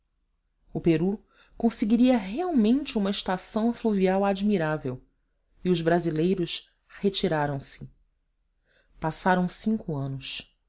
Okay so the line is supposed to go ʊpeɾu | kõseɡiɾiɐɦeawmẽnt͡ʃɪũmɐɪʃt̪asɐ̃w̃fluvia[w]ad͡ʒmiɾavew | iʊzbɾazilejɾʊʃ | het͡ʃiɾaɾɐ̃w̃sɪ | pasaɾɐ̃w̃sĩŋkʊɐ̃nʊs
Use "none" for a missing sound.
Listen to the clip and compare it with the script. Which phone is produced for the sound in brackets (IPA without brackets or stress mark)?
w